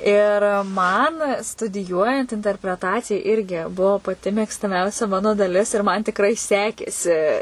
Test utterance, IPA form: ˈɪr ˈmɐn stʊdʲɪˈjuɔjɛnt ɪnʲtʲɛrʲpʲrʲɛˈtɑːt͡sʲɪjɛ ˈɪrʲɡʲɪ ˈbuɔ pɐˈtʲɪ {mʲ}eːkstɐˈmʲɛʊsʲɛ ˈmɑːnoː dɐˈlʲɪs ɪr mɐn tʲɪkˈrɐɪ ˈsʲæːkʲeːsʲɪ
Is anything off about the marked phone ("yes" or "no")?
no